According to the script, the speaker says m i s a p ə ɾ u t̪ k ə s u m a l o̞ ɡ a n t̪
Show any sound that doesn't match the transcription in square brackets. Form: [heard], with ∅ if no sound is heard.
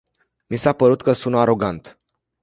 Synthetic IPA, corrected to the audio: m i s a p ə ɾ u t̪ k ə s u [n] a [ɾ] o̞ ɡ a n t̪